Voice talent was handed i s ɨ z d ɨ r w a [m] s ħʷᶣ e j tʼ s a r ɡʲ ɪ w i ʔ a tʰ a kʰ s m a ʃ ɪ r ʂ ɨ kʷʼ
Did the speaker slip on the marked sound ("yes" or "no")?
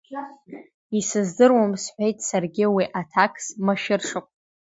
no